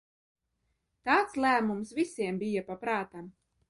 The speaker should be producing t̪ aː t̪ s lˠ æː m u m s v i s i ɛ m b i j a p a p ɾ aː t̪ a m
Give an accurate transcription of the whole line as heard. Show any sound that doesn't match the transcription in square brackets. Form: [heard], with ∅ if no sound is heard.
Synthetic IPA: t̪ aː t̪ s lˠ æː m u m s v i s i ɛ m b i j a p a p ɾ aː t̪ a m